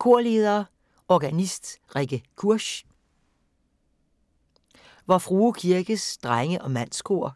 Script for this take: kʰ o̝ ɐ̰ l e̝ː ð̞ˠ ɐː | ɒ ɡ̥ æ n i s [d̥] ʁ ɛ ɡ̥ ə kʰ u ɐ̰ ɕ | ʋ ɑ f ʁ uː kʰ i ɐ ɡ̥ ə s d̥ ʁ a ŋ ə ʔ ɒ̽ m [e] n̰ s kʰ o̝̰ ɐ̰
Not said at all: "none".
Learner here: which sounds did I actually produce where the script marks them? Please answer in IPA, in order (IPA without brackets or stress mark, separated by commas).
d̥, æ